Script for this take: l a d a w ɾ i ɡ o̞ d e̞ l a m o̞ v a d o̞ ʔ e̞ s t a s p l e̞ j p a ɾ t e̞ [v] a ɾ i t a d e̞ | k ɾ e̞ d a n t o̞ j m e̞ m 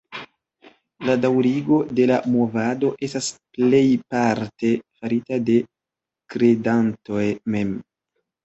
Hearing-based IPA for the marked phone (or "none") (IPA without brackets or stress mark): f